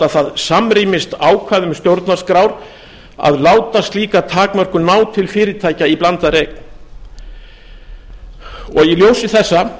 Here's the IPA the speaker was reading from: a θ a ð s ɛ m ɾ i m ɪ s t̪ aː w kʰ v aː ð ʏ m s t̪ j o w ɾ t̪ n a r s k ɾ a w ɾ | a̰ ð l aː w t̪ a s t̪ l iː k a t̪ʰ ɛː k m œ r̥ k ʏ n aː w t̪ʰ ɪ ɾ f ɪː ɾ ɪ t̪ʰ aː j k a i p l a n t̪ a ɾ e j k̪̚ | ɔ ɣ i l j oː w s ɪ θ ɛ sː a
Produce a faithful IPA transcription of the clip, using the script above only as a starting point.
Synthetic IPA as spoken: a θ a ð s a m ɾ i m ɪ s t̪ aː w kʰ v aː ð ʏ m s t̪ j o w ɾ t̪ n a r s k ɾ a w ɾ | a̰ ð l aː w t̪ a s t̪ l iː k a t̪ʰ aː k m œ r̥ k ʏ n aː w t̪ʰ ɪ l f ɪː ɾ ɪ t̪ʰ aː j c a i p l a n t̪ a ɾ e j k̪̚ | ɔ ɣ i l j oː w s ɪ θ ɛ sː a